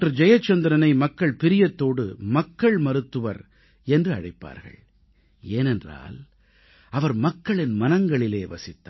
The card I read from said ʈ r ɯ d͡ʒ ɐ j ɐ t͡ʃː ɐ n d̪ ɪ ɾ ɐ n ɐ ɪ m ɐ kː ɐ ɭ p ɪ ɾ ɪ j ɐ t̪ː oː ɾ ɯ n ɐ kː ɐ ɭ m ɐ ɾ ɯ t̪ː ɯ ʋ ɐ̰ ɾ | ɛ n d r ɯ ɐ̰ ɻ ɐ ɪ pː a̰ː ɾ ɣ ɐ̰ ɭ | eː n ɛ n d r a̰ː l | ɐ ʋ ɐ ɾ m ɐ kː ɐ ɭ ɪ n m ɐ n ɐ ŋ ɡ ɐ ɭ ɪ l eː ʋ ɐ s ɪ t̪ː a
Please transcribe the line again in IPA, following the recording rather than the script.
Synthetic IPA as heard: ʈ r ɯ d͡ʒ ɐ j ɐ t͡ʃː ɐ n d̪ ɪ ɾ ɐ n ɐ ɪ m ɐ kː ɐ ɭ p ɪ ɾ ɪ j ɐ t̪ː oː ɽ ɯ m ɐ kː ɐ ɭ m ɐ ɾ ɯ t̪ː ɯ ʋ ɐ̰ ɾ | ɛ n d r ɯ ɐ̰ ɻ ɐ ɪ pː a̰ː ɾ ɣ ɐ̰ ɭ | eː n ɛ n d r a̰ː l | ɐ ʋ ɐ ɾ m ɐ kː ɐ ɭ ɪ n m ɐ n ɐ ŋ ɡ ɐ ɭ ɪ l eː ʋ ɐ s ɪ t̪ː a